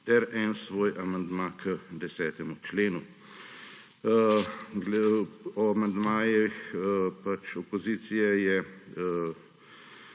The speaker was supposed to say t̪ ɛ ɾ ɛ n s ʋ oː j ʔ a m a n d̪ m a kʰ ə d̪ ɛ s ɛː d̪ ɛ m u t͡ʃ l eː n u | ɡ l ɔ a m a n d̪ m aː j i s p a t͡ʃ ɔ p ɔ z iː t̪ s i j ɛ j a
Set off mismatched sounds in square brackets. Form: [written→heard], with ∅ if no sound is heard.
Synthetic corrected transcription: t̪ ɛ ɾ ɛ n s ʋ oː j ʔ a m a n d̪ m a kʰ ə d̪ ɛ s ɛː [d̪→t̪] ɛ m u t͡ʃ l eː n u | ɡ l ɔ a m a n d̪ m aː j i [s→x] p a t͡ʃ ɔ p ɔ z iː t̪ s i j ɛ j [a→ɛ]